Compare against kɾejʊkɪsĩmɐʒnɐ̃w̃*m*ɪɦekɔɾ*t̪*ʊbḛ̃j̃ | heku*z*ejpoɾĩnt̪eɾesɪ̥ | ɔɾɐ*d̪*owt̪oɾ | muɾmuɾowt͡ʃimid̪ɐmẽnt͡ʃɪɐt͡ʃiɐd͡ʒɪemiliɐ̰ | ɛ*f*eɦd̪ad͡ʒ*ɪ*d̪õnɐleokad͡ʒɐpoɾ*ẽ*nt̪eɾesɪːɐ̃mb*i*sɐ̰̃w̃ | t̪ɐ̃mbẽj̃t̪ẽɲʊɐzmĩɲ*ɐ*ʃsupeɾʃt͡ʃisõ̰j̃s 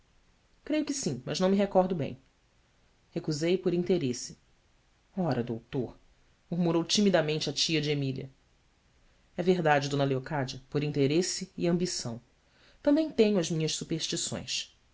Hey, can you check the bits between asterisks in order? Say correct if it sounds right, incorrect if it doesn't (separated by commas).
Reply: correct, incorrect, correct, correct, incorrect, correct, incorrect, correct, correct